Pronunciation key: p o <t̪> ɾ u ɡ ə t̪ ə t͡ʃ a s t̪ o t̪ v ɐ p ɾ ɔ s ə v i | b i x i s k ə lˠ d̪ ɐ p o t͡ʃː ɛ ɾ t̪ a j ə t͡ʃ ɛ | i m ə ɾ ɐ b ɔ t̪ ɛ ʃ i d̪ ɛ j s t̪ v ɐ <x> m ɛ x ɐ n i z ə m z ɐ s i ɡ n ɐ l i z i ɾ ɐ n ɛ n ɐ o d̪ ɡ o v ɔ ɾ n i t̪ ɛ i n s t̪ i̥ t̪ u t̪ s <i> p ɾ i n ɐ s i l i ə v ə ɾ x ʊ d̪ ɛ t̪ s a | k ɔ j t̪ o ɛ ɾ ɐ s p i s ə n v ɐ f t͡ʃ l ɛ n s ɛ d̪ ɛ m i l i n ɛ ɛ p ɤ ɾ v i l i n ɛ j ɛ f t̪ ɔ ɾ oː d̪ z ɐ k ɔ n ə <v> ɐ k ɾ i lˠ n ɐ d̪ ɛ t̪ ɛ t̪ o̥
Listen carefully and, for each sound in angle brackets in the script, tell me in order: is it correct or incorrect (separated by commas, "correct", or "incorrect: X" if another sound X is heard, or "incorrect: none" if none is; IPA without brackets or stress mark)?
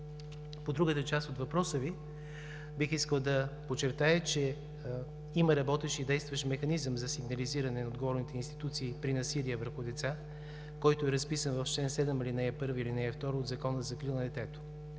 incorrect: d̪, incorrect: ʃ, incorrect: iː, incorrect: z